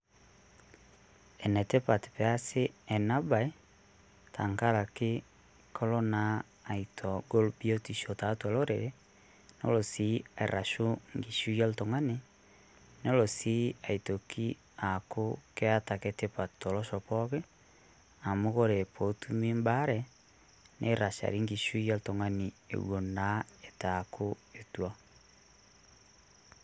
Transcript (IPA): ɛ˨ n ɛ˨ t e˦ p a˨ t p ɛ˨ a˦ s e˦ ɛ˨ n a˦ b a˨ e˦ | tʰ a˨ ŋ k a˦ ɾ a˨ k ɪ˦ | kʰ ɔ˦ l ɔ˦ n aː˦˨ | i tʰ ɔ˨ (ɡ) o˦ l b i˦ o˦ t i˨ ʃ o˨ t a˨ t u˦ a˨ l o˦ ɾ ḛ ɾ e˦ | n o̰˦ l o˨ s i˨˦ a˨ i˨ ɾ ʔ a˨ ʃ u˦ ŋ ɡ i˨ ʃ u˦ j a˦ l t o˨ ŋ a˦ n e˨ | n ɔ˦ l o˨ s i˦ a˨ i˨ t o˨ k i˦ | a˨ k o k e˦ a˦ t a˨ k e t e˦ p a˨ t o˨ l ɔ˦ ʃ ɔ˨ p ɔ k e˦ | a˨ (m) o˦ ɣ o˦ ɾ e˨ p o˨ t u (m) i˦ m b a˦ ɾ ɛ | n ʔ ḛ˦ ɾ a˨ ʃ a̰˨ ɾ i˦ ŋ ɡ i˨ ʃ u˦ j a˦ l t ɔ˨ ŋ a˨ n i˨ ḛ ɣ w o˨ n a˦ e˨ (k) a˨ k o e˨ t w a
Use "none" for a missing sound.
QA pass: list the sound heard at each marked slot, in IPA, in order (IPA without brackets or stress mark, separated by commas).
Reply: ɡ, m, m, t